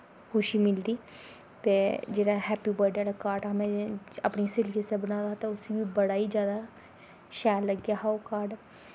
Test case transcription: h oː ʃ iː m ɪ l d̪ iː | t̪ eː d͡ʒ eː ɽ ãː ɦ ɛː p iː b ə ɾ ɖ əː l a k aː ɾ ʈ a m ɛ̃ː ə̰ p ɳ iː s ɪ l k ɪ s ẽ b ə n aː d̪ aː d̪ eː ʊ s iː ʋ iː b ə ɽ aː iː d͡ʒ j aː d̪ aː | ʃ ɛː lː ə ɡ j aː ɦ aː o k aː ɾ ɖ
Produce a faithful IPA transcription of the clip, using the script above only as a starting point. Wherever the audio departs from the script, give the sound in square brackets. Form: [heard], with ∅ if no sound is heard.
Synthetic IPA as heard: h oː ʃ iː m ɪ l d̪ iː | t̪ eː d͡ʒ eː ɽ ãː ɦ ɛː p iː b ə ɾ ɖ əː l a k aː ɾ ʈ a m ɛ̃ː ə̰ p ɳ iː s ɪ l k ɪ s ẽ b ə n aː d̪ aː [t̪] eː ʊ s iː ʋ iː b ə ɽ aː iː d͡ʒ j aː d̪ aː | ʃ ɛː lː ə ɡ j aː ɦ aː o k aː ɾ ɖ

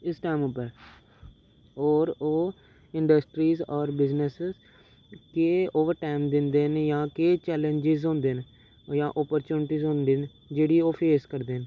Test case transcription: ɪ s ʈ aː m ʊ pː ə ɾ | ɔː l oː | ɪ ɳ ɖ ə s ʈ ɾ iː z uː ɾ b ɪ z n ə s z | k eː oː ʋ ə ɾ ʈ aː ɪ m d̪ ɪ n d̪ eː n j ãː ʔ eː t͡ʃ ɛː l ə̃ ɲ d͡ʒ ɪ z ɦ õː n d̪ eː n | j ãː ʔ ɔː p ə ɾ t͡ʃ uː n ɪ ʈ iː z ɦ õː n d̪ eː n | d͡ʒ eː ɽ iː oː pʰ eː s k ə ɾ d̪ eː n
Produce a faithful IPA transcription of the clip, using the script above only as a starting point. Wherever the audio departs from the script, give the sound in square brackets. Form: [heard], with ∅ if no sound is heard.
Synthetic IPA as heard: ɪ s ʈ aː m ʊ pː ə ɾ | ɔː [ɾ] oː | ɪ ɳ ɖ ə s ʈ ɾ iː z [ɔː] ɾ b ɪ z n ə s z | k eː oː ʋ ə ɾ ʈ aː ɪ m d̪ ɪ n d̪ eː n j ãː [k] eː t͡ʃ ɛː l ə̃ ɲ d͡ʒ ɪ z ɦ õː n d̪ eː n | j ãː ʔ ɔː p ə ɾ t͡ʃ uː n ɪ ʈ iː z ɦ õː n d̪ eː n | d͡ʒ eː ɽ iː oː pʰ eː s k ə ɾ d̪ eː n

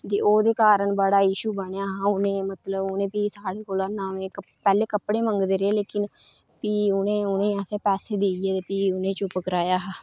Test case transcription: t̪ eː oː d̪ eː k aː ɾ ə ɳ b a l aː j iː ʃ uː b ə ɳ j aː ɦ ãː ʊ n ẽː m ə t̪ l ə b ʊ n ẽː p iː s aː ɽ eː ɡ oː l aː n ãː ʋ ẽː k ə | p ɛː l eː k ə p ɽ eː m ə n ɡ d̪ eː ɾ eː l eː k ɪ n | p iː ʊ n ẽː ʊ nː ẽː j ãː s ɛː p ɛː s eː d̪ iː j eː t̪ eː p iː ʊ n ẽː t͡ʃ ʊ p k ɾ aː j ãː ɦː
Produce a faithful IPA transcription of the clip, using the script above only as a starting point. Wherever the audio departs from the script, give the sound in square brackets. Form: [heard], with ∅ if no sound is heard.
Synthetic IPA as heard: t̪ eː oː d̪ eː k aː ɾ ə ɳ b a [ɽ] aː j iː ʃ uː b ə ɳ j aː ɦ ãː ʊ n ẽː m ə t̪ l ə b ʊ n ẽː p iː s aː ɽ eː [k] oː l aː n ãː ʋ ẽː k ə | p ɛː l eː k ə p ɽ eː m ə [ŋ] ɡ d̪ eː ɾ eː l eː k ɪ n | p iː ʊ n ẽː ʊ [n] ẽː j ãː s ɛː p ɛː s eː d̪ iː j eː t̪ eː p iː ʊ n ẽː t͡ʃ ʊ p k ɾ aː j [aː] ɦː

